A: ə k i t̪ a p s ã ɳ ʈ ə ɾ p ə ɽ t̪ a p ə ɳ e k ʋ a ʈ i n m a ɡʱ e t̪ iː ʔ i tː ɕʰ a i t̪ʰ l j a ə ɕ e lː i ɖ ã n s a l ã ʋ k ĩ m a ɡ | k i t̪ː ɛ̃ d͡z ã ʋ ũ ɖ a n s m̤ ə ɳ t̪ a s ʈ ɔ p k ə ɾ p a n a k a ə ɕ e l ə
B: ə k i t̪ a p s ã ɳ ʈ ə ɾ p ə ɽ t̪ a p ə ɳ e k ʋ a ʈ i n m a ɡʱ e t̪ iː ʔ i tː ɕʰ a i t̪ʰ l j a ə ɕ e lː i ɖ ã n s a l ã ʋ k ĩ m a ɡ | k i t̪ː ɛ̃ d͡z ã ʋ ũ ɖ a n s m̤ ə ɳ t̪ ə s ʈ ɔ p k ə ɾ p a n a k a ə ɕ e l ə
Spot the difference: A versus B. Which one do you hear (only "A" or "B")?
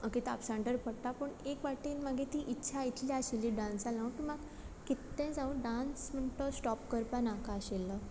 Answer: B